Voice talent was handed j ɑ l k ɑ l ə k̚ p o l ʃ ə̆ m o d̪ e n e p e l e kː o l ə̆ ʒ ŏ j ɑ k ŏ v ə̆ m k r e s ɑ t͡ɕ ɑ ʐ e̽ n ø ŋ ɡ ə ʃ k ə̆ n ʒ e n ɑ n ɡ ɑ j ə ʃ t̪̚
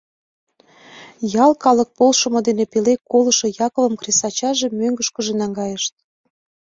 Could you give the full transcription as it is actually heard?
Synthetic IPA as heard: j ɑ l k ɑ l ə k̚ p o l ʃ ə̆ m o d̪ e n e p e l e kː o l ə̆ ʃ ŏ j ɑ k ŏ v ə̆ m k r e s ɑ t͡ɕ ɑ ʒ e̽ m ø ŋ ɡ ə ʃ k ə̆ ʒ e n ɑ ŋ ɡ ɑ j ə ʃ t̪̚